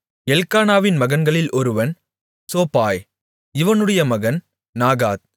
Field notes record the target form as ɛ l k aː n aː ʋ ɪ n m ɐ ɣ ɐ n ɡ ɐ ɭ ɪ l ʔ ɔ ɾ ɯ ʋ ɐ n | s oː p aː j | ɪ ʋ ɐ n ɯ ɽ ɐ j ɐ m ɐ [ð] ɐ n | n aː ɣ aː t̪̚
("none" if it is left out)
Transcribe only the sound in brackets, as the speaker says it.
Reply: ɣ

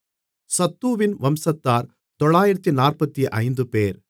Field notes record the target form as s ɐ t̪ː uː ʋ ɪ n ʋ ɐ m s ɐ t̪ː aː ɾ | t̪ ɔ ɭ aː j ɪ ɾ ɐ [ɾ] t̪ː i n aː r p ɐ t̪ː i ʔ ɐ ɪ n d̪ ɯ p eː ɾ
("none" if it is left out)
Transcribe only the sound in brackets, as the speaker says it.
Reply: none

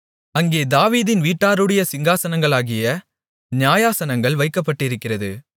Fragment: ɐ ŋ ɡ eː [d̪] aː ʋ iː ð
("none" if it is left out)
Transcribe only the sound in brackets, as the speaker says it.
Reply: d̪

